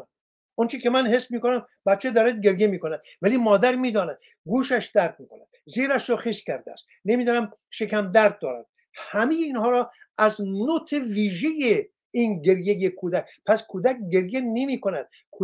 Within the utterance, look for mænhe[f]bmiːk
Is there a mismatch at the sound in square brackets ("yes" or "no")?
yes